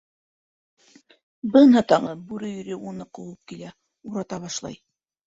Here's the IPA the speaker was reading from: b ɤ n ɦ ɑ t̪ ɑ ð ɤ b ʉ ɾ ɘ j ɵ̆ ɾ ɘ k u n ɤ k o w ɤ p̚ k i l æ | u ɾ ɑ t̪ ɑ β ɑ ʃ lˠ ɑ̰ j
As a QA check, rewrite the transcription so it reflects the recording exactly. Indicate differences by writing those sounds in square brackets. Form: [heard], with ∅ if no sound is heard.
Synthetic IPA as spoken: b ɤ n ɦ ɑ t̪ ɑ [ʁ] ɤ b ʉ ɾ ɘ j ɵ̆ ɾ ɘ [∅] u n ɤ [q] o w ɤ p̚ k i l æ | u ɾ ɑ t̪ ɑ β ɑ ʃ lˠ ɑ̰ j